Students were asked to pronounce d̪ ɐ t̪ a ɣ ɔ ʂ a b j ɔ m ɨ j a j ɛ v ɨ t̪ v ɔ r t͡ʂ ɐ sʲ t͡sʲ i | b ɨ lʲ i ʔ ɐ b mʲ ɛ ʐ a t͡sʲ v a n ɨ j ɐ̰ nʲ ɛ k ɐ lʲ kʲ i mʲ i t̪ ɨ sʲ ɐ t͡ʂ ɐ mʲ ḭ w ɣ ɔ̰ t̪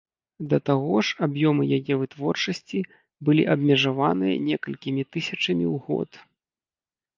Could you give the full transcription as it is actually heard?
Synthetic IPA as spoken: d̪ ɐ t̪ a ɣ ɔ ʂ a b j ɔ m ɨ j a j ɛ v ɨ t̪ v ɔ r t͡ʂ ɐ sʲ t͡sʲ i | b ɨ lʲ i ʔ ɐ b mʲ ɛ ʐ a v a n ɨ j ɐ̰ nʲ ɛ k ɐ lʲ kʲ i mʲ i t̪ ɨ sʲ ɐ t͡ʂ ɐ mʲ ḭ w ɣ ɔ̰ t̪